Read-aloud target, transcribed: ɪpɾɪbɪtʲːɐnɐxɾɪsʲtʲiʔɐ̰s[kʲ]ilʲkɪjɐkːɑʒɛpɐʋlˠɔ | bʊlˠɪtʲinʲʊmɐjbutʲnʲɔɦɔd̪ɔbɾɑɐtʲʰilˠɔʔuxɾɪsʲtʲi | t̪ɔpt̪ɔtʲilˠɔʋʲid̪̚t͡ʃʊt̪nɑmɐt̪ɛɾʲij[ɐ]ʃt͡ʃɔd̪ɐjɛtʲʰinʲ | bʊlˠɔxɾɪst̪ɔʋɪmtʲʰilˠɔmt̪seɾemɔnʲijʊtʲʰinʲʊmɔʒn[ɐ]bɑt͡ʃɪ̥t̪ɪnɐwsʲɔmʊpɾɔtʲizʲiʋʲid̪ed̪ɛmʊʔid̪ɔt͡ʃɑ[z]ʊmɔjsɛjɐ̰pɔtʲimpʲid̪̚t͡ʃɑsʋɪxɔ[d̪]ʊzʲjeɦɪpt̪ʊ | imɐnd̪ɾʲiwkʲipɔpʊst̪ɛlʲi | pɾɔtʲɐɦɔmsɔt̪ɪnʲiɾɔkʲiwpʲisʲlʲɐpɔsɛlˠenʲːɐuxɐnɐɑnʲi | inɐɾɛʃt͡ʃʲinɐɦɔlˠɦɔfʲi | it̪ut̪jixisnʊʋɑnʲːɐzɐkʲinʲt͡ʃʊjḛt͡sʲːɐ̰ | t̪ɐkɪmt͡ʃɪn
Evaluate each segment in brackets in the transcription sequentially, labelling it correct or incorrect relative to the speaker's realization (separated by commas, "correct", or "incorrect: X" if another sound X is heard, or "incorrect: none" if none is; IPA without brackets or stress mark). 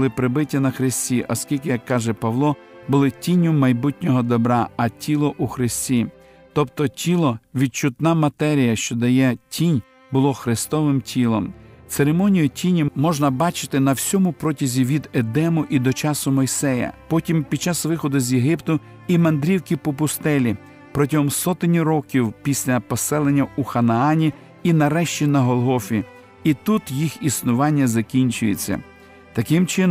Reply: correct, correct, correct, incorrect: s, correct